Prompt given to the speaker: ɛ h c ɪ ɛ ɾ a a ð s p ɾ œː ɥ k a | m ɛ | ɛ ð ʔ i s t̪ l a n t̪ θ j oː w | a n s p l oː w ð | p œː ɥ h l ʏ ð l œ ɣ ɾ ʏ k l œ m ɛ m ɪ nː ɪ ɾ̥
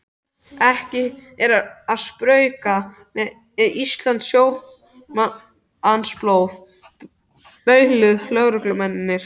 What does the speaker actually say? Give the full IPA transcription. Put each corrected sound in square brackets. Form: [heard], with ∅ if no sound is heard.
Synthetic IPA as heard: ɛ h c ɪ ɛ ɾ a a ð s p ɾ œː ɥ k a | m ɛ | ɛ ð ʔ i s t̪ l a n t̪ [s] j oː w | a n s p l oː w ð | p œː ɥ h l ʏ ð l œ ɣ ɾ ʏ k l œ m ɛ [n] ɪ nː ɪ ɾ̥